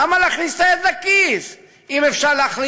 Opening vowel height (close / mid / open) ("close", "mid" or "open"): open